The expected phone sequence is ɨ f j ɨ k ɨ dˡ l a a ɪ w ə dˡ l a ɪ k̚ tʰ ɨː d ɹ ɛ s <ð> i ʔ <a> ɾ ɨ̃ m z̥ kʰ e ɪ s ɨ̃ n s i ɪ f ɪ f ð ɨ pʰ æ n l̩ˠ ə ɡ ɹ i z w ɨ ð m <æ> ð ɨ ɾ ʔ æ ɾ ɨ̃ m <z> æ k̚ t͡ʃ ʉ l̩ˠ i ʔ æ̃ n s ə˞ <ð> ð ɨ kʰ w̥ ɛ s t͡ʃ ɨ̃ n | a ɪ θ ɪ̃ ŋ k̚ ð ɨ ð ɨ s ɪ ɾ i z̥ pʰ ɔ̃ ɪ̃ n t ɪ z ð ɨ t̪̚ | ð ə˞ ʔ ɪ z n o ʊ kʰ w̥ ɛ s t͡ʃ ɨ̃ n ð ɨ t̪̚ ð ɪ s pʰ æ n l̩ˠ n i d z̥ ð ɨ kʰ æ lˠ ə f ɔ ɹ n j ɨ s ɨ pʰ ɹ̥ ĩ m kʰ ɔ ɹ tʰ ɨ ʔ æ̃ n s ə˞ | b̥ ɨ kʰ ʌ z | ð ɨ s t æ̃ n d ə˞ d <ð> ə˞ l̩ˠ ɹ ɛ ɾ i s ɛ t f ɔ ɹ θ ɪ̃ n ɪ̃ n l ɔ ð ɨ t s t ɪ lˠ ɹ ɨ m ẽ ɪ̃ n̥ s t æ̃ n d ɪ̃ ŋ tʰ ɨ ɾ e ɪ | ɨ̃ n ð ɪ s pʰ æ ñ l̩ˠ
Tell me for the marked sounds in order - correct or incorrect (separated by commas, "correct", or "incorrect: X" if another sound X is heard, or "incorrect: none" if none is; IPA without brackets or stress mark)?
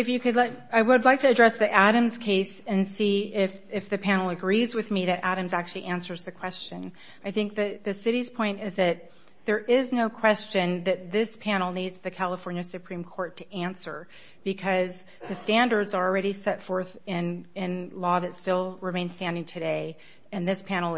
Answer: correct, incorrect: æ, incorrect: i, correct, incorrect: z, incorrect: z